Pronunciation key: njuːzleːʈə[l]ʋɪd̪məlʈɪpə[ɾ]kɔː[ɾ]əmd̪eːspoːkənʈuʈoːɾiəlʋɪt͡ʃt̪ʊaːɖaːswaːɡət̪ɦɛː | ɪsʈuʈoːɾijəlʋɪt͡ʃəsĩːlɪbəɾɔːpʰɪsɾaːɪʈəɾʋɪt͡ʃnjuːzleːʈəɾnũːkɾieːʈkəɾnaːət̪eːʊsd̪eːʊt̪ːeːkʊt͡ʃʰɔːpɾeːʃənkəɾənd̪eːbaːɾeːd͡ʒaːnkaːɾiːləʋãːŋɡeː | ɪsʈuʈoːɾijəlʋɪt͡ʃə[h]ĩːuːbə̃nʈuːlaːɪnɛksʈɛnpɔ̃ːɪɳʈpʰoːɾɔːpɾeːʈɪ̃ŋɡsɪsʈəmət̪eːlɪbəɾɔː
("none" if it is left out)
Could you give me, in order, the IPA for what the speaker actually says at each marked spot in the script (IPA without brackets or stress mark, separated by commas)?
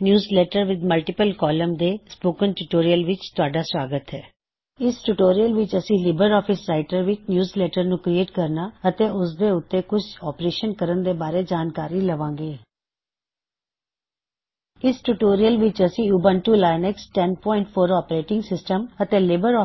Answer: ɾ, l, l, s